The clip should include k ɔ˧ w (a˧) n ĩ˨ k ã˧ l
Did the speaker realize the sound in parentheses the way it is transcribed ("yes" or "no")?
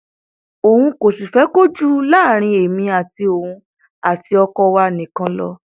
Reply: yes